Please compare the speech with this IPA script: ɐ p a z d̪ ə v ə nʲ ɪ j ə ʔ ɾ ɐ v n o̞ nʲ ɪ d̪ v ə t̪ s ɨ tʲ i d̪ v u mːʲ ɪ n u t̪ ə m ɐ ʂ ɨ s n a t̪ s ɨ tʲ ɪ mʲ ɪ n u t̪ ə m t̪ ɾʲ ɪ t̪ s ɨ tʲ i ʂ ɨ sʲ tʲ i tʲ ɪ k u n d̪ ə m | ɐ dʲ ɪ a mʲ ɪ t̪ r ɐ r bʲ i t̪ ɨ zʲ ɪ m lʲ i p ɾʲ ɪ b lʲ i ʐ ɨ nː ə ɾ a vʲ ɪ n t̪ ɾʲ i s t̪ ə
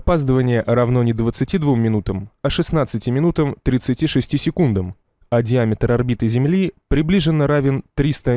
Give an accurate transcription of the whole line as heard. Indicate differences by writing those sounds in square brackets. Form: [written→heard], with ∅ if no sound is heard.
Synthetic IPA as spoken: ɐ p a z d̪ ə v ə nʲ ɪ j ə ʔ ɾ ɐ v n o̞ nʲ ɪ d̪ v ə t̪ s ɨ tʲ i d̪ v u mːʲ ɪ n u t̪ ə m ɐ ʂ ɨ s n a t̪ s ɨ tʲ ɪ mʲ ɪ n u t̪ ə m t̪ ɾʲ ɪ t̪ s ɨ tʲ i ʂ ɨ sʲ tʲ i [tʲ→sʲ] ɪ k u n d̪ ə m | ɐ dʲ ɪ a mʲ ɪ t̪ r ɐ r bʲ i t̪ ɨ zʲ ɪ m lʲ i p ɾʲ ɪ b lʲ i ʐ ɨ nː ə ɾ a vʲ ɪ n t̪ ɾʲ i s t̪ ə